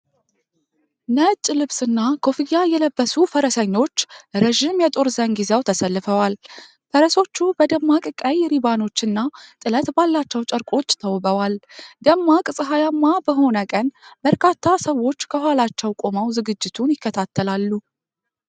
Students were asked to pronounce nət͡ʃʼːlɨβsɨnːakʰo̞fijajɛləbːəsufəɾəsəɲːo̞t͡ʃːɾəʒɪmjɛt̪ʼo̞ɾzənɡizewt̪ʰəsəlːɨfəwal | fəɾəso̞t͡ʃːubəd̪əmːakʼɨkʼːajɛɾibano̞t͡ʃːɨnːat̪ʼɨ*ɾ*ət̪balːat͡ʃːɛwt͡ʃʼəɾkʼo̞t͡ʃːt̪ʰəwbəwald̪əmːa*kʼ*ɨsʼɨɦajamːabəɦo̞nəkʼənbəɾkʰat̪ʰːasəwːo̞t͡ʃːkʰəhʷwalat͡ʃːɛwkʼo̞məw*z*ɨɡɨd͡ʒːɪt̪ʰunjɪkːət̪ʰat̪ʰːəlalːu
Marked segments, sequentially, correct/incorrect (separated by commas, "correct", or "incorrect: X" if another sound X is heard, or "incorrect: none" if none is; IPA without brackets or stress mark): incorrect: l, correct, correct